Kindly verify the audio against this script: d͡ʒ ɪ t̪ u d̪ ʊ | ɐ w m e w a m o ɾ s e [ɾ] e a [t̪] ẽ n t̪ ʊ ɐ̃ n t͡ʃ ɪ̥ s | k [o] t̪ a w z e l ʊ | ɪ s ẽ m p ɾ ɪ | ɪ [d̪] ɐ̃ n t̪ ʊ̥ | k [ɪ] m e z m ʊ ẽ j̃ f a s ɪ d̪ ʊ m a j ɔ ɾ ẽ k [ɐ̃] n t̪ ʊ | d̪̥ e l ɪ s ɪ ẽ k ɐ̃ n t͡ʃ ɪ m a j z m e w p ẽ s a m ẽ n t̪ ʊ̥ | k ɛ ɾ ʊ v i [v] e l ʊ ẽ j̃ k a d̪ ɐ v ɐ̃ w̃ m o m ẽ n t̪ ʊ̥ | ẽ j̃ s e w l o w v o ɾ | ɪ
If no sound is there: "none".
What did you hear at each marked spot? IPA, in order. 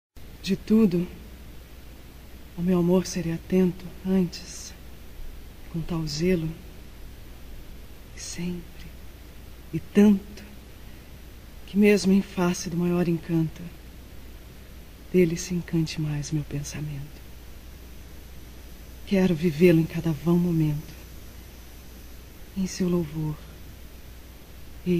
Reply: ɾ, t̪, õ, t̪, ɪ, ɐ̃, v

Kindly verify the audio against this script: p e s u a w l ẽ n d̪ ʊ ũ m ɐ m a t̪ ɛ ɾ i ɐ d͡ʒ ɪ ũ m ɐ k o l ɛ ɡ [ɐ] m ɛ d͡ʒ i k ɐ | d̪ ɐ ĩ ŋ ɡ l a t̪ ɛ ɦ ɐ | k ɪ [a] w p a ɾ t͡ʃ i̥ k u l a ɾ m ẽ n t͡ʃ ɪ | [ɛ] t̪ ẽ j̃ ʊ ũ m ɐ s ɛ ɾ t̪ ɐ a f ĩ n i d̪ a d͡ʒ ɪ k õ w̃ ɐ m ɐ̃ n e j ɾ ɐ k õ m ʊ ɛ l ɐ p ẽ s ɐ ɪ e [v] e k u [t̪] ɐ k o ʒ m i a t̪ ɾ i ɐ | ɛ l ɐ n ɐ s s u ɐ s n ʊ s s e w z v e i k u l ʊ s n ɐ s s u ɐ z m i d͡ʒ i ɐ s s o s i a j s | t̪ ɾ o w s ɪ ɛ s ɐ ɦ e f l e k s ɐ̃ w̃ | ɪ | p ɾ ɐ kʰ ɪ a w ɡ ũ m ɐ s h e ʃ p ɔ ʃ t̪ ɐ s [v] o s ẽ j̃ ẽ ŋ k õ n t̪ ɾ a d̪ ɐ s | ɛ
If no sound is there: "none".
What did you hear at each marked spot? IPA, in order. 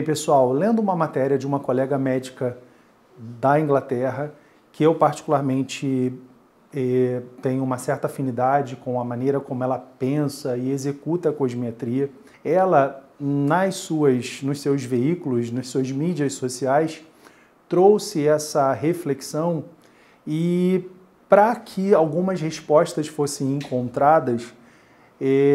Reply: ɐ, e, ɛ, z, t̪, f

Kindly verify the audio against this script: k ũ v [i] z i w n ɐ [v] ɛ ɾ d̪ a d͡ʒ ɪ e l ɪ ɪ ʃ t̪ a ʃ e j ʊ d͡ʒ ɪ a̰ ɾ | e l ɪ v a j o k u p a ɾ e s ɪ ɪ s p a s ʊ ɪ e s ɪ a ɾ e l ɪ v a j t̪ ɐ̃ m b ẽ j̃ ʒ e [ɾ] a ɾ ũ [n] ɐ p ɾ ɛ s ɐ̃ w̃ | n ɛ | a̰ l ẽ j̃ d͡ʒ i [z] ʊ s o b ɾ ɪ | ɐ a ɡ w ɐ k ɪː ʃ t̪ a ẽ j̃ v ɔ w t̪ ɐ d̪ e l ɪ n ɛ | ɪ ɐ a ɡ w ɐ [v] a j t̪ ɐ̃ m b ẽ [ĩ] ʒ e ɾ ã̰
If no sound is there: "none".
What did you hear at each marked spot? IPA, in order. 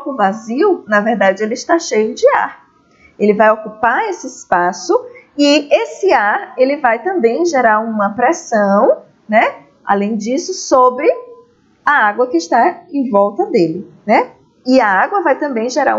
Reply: a, v, ɾ, m, s, v, j̃

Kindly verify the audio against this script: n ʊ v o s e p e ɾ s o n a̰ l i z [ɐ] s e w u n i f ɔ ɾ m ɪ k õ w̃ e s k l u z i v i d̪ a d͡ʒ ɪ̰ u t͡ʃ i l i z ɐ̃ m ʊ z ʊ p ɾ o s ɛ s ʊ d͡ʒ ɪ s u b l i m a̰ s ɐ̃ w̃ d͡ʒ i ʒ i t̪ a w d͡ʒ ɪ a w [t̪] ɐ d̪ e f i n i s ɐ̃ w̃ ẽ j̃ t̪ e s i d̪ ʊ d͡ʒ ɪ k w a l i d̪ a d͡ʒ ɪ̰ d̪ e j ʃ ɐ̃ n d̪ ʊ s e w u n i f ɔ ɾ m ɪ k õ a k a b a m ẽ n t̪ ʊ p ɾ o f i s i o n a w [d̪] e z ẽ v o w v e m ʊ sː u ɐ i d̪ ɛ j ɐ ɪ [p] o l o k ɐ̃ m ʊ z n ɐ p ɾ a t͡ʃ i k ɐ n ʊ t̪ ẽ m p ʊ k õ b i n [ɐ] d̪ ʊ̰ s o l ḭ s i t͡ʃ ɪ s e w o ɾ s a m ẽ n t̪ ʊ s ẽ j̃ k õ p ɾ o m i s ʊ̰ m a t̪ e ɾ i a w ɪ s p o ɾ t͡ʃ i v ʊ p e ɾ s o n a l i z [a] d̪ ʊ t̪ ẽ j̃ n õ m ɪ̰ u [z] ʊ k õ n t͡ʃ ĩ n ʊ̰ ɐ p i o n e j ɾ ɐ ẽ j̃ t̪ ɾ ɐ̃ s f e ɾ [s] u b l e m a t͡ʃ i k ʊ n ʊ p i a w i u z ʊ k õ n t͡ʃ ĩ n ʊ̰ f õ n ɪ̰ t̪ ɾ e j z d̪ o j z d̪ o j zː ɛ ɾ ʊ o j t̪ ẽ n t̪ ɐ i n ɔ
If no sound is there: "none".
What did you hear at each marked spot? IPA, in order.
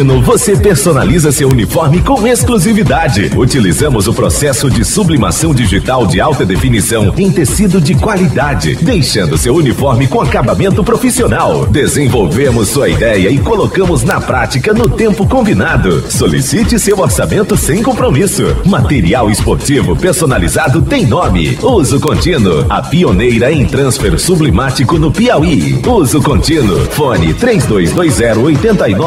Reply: ɐ, t̪, d̪, k, a, a, z, s

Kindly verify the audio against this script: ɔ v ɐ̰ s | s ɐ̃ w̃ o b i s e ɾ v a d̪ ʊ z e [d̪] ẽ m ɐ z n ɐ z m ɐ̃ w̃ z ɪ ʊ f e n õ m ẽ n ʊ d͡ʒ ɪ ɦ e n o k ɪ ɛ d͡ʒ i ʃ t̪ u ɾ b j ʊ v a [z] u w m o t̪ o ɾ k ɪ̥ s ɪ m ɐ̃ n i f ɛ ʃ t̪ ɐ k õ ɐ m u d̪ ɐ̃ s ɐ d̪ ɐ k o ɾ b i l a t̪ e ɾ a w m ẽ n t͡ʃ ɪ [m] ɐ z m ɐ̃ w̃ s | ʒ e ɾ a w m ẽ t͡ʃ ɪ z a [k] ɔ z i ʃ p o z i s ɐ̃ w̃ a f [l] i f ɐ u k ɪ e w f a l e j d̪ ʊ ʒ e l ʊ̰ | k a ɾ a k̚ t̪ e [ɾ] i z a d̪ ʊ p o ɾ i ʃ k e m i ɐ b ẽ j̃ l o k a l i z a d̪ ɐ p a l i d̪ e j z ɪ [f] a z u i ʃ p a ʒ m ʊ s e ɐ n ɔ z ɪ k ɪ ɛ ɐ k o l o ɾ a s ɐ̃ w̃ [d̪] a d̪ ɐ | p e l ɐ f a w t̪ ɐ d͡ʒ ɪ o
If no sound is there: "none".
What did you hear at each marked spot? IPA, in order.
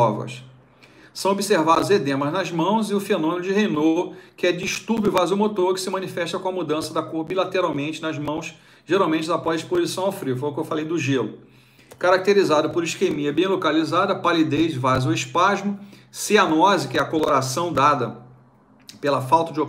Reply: d̪, z, n, p, ɾ, ɾ, v, d̪

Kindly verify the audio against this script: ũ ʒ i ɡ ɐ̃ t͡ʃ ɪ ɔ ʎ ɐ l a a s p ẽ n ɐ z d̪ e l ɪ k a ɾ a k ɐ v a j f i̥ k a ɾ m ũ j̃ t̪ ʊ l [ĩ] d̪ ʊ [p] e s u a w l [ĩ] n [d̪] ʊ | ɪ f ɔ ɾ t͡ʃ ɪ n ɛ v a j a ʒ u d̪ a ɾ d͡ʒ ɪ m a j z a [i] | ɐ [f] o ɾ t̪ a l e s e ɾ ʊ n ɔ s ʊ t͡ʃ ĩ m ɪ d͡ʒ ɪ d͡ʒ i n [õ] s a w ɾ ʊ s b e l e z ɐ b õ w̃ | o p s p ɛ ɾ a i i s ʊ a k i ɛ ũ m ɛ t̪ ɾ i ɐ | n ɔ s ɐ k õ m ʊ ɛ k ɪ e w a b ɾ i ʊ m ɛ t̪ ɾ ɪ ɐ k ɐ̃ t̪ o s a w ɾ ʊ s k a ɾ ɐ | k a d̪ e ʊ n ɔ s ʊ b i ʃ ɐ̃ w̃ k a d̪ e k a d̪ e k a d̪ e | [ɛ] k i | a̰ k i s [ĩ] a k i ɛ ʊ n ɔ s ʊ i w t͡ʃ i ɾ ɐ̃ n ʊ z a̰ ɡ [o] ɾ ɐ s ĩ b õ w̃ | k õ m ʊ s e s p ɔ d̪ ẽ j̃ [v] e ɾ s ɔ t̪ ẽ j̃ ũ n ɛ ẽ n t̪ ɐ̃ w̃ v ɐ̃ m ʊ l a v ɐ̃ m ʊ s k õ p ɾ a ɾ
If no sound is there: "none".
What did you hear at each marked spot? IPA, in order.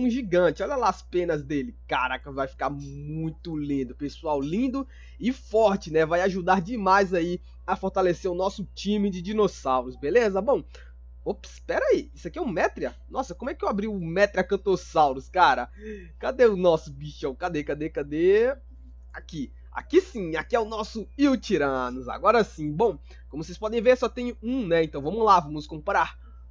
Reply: ĩ, p, ĩ, d̪, i, f, o, a, ĩ, ɔ, v

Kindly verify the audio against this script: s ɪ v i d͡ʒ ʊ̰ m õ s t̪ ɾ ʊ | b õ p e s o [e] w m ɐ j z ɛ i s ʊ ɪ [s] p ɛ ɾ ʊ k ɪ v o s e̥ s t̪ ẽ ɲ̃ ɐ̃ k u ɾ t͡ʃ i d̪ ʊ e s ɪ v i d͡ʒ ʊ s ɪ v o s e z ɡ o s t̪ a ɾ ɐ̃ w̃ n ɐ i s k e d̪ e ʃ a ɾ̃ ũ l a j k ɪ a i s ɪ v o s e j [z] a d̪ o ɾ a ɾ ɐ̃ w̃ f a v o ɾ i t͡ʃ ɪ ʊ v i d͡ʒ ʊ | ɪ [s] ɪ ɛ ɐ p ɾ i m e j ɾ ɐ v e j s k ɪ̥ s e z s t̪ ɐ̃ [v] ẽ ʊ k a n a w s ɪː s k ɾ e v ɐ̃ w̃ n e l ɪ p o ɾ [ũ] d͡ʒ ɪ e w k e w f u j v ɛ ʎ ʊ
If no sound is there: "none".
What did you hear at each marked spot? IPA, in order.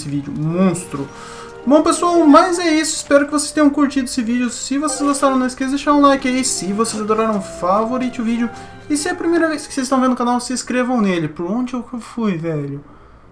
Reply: a, s, z, s, v, õ

